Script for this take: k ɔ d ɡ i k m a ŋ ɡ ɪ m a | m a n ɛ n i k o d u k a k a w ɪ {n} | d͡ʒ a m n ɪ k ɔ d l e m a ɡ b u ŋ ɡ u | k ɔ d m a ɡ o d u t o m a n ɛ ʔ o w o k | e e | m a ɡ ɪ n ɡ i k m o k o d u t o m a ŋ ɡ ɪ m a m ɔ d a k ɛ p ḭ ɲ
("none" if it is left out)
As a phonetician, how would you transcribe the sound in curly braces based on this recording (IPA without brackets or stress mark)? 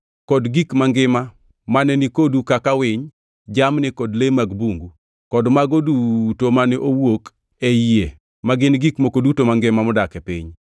ɲ